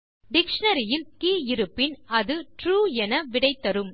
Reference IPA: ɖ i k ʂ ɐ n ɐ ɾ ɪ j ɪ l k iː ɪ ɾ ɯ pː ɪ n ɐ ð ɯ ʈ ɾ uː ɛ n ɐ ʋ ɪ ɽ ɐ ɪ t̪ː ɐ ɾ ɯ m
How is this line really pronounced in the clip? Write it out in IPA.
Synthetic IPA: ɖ ɪ k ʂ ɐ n ɐ ɾ ɪ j ɪ l k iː ɪ ɾ ɯ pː ɪ n ɐ ð ɯ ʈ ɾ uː ɛ n ɐ ʋ ɪ ɽ ɐ ɪ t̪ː ɐ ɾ ɯ m